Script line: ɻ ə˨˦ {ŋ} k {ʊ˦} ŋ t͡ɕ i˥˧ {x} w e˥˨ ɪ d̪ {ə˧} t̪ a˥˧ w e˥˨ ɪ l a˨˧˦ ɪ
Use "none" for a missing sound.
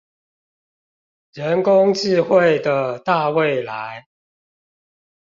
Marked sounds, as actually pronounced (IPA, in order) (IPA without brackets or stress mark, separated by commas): n, ʊ˦, x, ə˩